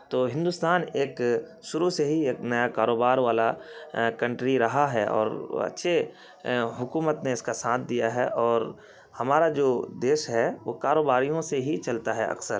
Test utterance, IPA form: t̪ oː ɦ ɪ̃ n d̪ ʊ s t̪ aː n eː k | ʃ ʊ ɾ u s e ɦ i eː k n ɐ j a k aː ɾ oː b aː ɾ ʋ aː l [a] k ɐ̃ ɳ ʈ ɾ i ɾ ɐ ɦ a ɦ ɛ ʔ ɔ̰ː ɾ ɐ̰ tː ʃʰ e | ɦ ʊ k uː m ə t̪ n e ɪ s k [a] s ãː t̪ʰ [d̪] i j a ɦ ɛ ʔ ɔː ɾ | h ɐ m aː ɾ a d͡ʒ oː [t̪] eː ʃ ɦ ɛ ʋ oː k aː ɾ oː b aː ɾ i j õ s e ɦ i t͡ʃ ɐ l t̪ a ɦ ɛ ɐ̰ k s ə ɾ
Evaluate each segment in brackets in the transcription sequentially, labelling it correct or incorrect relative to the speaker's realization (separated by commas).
correct, correct, correct, incorrect